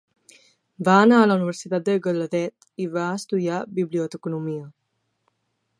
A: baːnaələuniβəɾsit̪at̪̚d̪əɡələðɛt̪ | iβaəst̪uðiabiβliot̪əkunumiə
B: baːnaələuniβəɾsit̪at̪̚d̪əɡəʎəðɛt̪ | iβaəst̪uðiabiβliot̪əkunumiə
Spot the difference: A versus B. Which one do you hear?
A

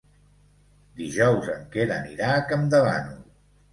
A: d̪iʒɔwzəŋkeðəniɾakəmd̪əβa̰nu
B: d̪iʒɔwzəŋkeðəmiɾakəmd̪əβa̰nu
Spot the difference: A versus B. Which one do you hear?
A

